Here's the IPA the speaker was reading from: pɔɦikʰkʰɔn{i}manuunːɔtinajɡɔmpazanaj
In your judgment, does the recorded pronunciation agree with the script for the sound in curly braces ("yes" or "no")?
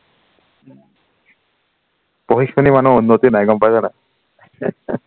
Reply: yes